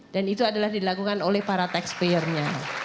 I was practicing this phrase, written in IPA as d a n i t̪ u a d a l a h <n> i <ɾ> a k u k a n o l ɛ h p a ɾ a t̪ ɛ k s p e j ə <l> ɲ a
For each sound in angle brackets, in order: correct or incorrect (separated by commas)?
incorrect, incorrect, incorrect